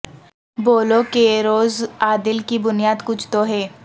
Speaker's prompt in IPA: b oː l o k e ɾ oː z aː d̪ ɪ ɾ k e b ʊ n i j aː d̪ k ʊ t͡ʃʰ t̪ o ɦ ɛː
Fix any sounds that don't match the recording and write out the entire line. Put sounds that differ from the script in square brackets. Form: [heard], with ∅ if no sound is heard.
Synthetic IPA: b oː l o k e ɾ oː z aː d̪ ɪ [l] k [i] b ʊ n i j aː d̪ k ʊ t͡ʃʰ t̪ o ɦ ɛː